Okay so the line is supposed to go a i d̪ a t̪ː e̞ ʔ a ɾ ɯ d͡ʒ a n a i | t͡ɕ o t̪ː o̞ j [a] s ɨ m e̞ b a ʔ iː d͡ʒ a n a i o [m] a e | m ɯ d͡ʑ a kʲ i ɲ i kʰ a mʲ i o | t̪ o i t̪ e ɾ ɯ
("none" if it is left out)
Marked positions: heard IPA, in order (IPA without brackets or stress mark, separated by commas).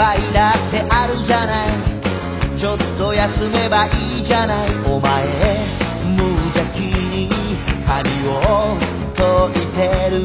a, m